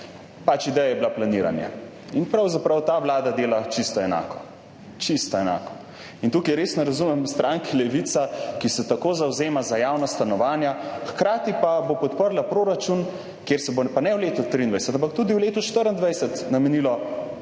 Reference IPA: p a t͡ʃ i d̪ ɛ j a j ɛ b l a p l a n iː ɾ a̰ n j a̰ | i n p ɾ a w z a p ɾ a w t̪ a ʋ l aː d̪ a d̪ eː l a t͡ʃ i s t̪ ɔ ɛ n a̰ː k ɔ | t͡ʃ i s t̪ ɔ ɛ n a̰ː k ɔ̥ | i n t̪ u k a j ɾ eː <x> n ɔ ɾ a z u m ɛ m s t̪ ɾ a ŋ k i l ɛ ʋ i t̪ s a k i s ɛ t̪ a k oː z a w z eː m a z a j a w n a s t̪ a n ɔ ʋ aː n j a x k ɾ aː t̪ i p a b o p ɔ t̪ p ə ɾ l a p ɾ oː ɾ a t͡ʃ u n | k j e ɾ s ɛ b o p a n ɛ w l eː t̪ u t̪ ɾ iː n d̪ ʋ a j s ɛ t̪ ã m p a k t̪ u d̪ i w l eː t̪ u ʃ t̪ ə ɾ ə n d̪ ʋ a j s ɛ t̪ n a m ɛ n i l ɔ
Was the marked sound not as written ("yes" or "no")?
yes